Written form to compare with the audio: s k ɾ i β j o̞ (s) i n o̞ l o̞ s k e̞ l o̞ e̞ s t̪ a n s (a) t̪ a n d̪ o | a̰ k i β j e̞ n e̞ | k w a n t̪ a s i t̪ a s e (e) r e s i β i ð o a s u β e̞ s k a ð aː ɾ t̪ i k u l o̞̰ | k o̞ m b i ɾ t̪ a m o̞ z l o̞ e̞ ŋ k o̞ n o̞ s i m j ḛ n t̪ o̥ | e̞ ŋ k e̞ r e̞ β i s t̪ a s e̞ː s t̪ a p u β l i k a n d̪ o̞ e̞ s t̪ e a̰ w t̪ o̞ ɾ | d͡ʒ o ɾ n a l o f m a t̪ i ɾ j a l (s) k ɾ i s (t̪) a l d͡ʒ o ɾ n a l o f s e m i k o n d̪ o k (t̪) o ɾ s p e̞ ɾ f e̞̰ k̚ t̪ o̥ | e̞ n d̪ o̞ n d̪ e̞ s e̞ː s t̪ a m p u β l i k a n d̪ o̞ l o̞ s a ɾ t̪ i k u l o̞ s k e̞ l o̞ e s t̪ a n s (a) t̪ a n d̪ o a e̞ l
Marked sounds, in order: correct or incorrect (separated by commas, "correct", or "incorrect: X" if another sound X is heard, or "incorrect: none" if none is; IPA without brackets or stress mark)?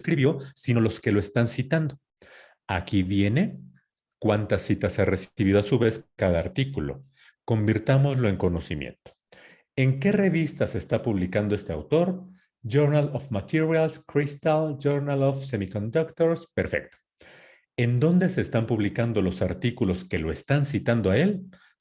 correct, incorrect: i, incorrect: a, correct, correct, correct, incorrect: i